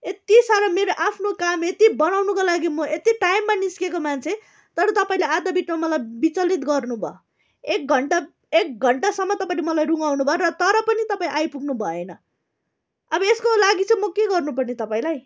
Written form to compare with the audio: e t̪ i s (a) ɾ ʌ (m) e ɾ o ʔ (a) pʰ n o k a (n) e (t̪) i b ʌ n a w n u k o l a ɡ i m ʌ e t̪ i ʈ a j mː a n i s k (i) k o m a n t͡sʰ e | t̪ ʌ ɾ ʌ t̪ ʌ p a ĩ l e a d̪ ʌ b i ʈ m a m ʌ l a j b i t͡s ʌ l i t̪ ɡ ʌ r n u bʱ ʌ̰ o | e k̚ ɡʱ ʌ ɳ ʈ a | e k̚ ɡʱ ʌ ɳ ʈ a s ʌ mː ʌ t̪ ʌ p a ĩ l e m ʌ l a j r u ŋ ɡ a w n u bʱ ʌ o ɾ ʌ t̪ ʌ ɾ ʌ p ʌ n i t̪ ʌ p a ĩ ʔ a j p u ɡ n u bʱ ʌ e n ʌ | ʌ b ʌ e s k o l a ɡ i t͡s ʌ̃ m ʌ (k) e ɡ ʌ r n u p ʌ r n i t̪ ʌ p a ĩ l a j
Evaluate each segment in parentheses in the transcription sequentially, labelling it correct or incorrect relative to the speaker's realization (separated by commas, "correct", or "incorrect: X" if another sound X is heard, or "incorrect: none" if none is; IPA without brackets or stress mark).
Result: correct, correct, correct, incorrect: m, correct, incorrect: e, correct